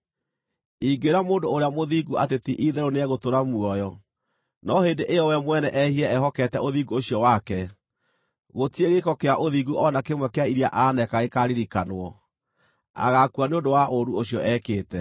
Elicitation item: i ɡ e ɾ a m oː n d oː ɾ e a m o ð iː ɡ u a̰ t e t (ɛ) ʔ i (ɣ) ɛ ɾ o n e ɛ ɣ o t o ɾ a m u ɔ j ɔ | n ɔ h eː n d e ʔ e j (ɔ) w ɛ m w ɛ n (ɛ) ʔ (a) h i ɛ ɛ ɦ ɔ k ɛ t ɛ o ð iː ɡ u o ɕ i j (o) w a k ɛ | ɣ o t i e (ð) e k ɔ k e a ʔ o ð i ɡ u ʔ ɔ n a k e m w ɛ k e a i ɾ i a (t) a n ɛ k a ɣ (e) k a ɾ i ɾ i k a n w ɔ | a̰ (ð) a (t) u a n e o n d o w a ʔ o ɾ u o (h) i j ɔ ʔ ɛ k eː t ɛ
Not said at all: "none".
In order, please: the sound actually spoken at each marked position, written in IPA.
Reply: i, ð, ɔ, ɛ, ɛ, ɔ, ɣ, ʔ, e, ɣ, k, ɕ

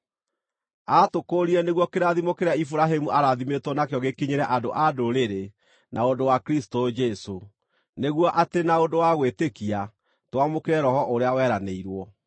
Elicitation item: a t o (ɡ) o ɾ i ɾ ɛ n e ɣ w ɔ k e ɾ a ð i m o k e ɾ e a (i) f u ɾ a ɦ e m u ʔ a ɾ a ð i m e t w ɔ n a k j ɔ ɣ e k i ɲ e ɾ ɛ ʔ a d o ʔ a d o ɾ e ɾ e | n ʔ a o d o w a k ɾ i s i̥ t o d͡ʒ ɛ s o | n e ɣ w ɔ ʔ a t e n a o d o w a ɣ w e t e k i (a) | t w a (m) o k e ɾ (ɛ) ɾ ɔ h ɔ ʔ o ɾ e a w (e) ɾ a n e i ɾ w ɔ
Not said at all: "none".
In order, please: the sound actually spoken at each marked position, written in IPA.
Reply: k, i, a, m, ɛ, ɛ

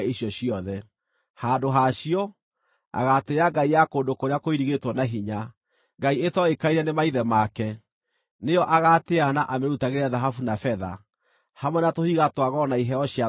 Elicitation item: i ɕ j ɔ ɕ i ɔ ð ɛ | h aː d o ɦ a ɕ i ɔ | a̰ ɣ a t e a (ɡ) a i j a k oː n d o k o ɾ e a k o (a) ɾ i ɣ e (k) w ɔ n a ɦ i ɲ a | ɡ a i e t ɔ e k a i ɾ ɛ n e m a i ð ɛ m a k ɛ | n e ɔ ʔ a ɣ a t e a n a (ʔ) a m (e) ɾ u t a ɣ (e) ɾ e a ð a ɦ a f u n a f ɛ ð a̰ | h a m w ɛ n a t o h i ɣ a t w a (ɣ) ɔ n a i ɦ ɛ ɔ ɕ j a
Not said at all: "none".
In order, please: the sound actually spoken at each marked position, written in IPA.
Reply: ɡ, i, t, ʔ, e, e, ɣ

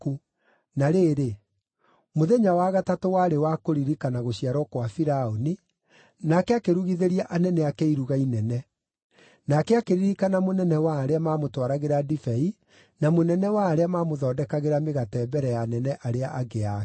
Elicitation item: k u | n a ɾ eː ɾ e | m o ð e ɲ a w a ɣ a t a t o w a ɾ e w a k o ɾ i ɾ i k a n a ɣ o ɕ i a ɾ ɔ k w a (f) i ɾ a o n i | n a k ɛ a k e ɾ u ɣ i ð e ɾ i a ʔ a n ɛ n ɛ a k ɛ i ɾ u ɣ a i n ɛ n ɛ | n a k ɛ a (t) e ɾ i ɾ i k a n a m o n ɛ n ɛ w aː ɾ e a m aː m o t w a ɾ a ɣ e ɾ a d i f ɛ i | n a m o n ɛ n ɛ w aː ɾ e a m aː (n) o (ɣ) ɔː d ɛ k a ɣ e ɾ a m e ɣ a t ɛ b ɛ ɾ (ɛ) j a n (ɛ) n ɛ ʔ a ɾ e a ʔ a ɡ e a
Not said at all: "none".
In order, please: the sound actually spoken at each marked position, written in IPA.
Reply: f, k, m, ð, ɛ, ɛ

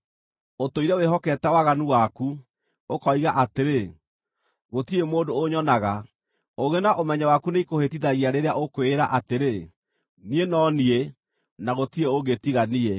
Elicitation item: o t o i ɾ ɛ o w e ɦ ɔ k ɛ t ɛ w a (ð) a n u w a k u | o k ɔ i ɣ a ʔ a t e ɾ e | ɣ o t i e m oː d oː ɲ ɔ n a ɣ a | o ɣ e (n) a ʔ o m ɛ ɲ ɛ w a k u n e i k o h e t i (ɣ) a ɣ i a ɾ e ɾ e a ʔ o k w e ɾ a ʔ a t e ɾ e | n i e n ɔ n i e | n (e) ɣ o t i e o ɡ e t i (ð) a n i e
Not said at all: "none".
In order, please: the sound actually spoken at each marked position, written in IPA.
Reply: ɣ, n, ð, a, ɣ

